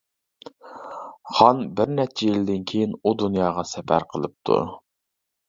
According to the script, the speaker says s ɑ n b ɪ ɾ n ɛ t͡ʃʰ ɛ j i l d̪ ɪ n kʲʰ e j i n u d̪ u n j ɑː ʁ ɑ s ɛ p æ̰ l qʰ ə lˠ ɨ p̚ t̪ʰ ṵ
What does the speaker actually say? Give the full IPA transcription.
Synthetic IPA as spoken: χ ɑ n b ɪ ɾ n ɛ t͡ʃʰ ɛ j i l d̪ ɪ n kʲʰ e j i n u d̪ u n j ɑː ʁ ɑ s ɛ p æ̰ ɾ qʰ ə lˠ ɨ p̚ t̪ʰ ṵ